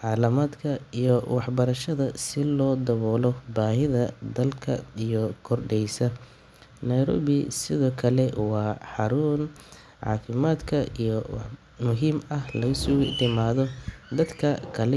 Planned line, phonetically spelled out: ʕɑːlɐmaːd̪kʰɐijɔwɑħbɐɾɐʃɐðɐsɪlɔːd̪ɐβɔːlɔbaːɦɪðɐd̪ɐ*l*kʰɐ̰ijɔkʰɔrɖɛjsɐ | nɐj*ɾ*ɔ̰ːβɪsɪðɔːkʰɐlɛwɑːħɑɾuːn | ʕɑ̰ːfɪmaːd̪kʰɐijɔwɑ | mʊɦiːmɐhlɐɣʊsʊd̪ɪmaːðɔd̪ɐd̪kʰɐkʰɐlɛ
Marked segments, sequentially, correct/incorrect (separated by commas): correct, correct